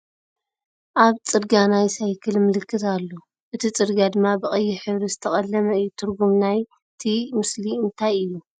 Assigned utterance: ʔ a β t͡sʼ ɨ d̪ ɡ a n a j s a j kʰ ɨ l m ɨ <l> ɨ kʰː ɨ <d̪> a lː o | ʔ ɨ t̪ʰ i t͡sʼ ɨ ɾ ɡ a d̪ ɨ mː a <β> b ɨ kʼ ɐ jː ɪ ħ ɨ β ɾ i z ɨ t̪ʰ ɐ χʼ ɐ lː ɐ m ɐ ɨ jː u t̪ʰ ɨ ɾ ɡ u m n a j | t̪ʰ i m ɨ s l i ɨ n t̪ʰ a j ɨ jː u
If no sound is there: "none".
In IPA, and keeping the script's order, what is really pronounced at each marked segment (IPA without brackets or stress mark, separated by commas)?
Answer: l, t̪, none